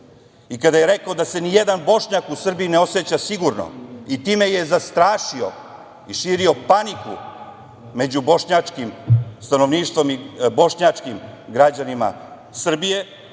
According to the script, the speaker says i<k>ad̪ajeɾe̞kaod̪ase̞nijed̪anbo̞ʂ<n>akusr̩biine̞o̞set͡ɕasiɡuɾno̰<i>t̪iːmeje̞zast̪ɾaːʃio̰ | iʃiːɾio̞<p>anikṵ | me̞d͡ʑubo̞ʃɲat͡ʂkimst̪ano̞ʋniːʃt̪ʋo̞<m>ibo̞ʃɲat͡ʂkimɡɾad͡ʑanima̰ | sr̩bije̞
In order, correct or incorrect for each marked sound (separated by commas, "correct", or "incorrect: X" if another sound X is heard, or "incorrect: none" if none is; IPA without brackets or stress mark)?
correct, incorrect: ɲ, correct, correct, correct